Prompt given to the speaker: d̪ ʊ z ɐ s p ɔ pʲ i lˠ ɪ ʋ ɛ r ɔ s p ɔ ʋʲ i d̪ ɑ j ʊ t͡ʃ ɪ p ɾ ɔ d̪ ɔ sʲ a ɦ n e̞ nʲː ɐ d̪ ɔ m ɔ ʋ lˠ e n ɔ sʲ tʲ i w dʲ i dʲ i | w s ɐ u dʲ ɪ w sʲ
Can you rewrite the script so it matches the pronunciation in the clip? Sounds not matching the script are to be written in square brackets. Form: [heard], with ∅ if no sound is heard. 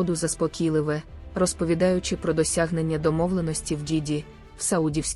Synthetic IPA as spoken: d̪ ʊ z ɐ s p ɔ [kʲ] i lˠ ɪ ʋ ɛ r ɔ s p ɔ ʋʲ i d̪ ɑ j ʊ t͡ʃ ɪ p ɾ ɔ d̪ ɔ sʲ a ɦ n e̞ nʲː ɐ d̪ ɔ m ɔ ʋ lˠ e n ɔ sʲ tʲ i w dʲ i dʲ i | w s ɐ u dʲ [i] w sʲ